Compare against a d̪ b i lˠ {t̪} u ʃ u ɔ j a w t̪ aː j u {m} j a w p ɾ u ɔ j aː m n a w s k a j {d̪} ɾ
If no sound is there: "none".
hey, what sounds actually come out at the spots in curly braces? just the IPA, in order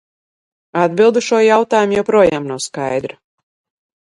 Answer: d̪, m, d̪

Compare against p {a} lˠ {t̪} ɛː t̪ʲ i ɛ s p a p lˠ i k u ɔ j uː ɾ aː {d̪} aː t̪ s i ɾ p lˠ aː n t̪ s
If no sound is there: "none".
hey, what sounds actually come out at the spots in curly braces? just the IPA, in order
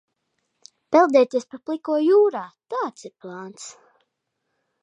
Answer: ɛ, d̪, t̪

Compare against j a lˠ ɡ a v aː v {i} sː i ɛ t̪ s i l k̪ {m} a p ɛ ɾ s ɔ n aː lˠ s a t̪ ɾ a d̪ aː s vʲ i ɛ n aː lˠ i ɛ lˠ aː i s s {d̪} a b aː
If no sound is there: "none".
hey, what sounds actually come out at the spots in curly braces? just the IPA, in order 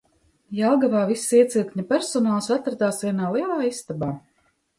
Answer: i, ɲ, t̪

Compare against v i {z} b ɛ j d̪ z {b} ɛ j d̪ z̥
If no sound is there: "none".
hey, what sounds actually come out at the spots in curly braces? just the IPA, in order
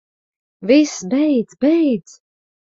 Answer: s, b

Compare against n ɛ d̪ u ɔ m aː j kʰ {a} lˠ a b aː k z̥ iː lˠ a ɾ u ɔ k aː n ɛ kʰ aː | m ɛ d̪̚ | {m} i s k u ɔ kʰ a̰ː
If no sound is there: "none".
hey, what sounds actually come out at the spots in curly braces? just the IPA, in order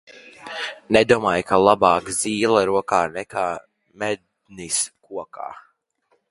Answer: a, n

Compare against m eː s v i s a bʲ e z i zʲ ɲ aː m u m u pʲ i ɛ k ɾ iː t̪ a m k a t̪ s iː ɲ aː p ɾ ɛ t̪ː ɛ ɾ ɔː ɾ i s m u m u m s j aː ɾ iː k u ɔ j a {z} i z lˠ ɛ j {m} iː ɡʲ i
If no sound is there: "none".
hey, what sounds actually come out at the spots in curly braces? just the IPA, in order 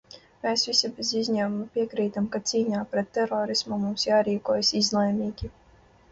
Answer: s, m

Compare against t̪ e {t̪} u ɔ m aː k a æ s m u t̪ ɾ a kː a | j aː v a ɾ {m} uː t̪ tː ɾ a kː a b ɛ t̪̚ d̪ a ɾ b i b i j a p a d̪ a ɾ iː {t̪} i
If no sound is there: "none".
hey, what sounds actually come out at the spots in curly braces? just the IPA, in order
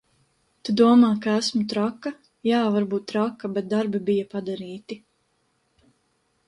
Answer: d̪, b, t̪

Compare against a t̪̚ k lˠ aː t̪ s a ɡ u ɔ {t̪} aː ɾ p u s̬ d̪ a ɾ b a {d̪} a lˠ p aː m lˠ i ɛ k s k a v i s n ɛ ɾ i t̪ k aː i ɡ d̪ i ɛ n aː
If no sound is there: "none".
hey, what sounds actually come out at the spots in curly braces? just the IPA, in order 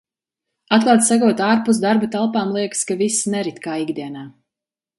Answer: t̪, t̪

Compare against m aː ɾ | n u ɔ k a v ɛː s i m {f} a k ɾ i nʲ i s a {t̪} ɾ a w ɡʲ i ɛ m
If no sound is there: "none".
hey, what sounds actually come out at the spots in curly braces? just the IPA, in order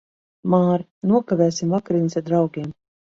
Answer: v, d̪

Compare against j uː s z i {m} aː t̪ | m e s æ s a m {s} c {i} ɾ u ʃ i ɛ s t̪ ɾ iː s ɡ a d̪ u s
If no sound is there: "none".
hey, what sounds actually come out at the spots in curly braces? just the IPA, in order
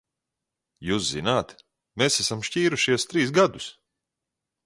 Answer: n, ʃ, iː

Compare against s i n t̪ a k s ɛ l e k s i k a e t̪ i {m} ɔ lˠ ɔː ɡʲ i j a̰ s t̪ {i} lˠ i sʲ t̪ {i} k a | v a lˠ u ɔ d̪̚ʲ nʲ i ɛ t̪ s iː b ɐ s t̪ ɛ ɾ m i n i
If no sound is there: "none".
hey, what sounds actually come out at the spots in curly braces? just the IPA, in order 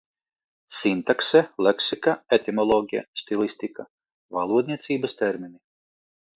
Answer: m, i, i

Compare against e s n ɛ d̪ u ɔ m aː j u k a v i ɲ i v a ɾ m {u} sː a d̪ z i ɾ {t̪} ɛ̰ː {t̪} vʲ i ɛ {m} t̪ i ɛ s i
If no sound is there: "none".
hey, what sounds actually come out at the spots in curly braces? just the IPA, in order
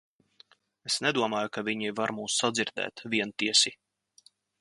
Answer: uː, d̪, t̪, n

